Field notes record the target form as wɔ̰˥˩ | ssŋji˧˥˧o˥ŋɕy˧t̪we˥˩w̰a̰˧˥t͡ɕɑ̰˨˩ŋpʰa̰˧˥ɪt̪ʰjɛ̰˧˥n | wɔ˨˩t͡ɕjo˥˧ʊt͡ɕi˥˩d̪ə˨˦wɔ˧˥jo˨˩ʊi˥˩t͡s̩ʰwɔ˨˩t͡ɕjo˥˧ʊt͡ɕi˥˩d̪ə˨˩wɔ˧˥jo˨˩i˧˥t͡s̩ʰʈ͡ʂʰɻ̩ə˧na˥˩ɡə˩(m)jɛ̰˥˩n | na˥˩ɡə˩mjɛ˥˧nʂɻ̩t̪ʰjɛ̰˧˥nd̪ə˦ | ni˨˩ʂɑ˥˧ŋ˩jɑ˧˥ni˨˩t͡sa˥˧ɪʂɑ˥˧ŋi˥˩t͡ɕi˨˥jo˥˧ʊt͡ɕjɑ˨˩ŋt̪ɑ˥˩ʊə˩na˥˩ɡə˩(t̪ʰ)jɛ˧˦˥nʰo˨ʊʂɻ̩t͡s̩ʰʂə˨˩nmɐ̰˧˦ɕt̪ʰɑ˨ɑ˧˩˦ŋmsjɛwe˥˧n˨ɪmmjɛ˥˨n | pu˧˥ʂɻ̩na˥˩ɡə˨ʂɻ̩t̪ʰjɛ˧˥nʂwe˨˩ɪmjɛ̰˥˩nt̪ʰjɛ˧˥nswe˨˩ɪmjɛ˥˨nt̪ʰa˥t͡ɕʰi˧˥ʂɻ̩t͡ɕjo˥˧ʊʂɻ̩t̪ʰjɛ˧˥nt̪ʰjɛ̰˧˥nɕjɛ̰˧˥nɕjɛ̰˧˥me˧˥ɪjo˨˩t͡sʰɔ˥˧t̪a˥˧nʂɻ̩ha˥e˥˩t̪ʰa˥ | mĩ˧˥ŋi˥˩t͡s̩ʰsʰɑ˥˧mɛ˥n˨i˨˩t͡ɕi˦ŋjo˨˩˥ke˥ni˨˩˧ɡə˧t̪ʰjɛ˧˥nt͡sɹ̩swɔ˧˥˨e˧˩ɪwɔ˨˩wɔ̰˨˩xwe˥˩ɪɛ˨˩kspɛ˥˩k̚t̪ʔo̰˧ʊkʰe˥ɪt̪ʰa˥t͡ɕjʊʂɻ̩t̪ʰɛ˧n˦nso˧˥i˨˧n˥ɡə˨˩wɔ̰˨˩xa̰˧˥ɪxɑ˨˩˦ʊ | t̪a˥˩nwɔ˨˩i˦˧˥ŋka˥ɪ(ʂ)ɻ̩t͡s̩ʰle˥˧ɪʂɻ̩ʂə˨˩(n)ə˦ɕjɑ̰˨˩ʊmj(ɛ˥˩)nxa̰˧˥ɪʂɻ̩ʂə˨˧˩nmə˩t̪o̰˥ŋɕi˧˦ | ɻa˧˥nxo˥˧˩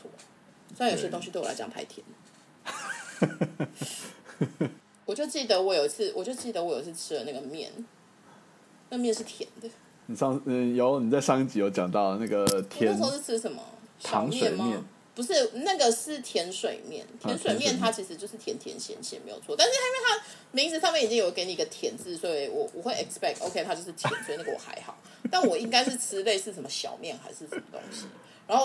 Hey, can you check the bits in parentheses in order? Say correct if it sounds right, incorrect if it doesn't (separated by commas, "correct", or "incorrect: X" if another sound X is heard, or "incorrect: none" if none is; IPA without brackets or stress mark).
correct, correct, correct, incorrect: m, correct